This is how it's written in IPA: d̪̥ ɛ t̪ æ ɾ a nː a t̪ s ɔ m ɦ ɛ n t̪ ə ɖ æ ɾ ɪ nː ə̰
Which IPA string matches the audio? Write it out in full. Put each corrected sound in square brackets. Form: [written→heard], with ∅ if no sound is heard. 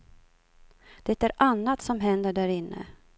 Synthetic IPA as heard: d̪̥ ɛ t̪ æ ɾ a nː a t̪ s ɔ m ɦ ɛ n [t̪→d̪] ə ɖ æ ɾ ɪ nː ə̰